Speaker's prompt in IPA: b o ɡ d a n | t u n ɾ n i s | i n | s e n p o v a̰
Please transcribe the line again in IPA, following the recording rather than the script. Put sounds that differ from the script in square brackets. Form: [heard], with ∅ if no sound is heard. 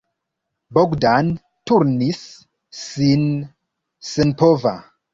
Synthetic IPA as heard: b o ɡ d a n | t u [∅] ɾ n i [sː] | i n | s e n p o v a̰